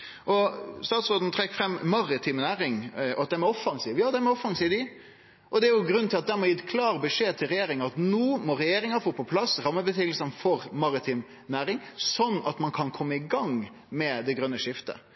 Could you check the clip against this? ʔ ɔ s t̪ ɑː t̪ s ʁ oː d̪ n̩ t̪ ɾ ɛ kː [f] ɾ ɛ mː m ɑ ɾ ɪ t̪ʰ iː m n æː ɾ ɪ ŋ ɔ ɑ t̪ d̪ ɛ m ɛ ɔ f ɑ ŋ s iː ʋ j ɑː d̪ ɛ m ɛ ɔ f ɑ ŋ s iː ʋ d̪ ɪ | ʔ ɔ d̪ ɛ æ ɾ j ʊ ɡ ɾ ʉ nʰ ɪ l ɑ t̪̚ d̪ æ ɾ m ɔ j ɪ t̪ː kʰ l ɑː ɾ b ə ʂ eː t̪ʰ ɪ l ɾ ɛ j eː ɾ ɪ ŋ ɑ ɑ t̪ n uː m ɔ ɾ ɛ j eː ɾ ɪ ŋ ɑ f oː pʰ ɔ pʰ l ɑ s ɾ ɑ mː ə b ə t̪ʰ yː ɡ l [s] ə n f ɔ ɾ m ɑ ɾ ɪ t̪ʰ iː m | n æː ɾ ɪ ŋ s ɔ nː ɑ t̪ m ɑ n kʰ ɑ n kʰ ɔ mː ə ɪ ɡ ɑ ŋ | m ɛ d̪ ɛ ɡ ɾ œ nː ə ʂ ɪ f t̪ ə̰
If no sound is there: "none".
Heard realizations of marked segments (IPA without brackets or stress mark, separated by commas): f, s